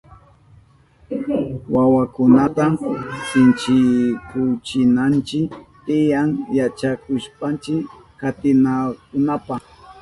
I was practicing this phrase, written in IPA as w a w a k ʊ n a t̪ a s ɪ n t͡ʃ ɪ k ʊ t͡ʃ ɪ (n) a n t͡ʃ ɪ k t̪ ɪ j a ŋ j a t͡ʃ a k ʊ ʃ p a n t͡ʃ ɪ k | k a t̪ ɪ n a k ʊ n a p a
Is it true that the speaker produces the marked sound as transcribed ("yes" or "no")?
yes